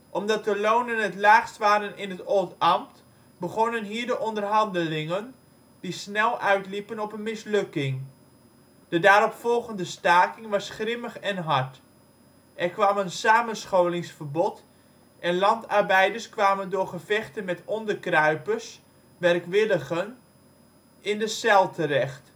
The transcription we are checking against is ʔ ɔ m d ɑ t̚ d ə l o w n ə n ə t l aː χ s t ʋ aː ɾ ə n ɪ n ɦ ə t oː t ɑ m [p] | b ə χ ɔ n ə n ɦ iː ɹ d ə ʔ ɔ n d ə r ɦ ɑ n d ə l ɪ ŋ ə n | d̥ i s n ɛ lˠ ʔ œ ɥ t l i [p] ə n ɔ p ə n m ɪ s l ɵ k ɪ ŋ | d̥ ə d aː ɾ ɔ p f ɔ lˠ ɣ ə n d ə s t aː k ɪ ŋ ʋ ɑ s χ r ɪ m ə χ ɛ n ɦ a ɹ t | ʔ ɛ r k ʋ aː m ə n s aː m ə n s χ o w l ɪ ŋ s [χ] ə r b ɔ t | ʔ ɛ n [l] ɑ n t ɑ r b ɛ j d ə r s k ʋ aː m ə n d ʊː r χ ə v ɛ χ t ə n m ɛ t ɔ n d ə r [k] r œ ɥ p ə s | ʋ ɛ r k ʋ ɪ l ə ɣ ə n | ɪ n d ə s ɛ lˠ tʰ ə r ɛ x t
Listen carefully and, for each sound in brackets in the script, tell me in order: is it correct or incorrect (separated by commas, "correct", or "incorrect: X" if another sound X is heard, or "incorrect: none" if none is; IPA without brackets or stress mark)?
incorrect: t, correct, incorrect: f, correct, correct